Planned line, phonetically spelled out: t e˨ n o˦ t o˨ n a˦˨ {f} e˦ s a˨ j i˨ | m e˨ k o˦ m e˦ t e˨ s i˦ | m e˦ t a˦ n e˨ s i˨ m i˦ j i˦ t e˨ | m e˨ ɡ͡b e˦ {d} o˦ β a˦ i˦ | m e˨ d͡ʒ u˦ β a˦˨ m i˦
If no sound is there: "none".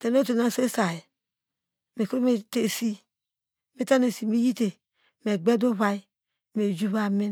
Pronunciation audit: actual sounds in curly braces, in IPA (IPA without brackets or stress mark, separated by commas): s, d